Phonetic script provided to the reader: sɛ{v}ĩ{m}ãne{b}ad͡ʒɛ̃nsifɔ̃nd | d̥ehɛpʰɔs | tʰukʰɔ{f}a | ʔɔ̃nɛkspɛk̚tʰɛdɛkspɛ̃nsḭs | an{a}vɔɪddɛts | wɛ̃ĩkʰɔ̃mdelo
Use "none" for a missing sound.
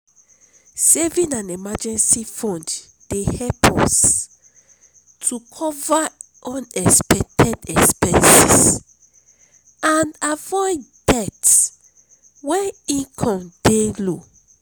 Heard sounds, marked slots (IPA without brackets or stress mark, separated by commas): v, n, m, v, a